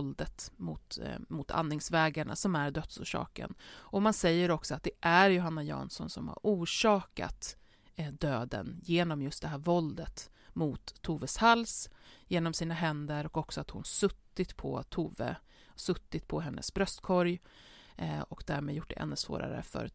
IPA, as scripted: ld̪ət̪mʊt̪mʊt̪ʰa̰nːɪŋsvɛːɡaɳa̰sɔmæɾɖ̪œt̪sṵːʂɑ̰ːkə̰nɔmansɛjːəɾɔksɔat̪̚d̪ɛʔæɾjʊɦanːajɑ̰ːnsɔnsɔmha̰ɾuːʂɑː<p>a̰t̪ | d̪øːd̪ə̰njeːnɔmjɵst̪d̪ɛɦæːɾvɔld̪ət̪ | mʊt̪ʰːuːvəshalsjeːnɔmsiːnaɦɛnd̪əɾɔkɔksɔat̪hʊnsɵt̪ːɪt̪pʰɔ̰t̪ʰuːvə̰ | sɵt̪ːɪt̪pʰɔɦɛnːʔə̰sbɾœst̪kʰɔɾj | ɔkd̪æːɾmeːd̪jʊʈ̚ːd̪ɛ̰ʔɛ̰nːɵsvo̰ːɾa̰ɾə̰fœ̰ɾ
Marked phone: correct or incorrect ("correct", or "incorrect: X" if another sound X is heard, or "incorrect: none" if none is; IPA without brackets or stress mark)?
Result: incorrect: k